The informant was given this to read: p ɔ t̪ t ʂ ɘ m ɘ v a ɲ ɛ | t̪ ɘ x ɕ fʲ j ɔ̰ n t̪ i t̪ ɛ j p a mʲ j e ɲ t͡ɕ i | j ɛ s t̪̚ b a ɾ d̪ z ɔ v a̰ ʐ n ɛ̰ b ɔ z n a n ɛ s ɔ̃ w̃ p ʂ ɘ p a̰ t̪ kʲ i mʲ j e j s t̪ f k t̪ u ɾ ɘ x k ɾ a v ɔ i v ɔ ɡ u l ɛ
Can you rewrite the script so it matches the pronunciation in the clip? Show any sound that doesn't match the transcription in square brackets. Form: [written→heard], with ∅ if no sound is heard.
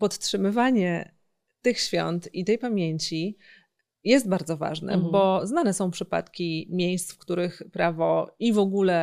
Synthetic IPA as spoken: p ɔ t̪ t ʂ ɘ m ɘ v a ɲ ɛ | t̪ ɘ x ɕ fʲ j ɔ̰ n t̪ i t̪ ɛ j p a mʲ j e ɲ t͡ɕ i | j ɛ s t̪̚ b a ɾ d̪ z ɔ v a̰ ʐ n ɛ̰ b ɔ z n a n ɛ s ɔ̃ w̃ p ʂ ɘ p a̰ t̪ kʲ i mʲ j e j s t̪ f k t̪ u ɾ ɘ x [k→p] ɾ a v ɔ i v ɔ ɡ u l ɛ